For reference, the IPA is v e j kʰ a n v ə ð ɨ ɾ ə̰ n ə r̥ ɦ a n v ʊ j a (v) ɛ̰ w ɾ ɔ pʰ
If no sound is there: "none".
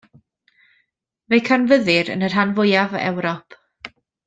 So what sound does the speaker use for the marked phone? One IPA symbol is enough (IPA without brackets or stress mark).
v